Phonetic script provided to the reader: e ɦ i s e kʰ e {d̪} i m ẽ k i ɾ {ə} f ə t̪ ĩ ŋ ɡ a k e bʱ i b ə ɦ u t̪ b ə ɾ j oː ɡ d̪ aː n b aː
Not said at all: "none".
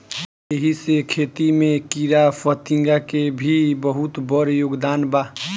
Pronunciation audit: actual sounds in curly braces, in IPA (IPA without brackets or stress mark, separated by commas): t̪, a